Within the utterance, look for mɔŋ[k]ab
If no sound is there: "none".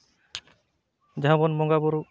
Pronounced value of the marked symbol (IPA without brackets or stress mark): ɡ